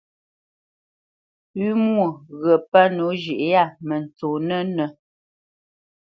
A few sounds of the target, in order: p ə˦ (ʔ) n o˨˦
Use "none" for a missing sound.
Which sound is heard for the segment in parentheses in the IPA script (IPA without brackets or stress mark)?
none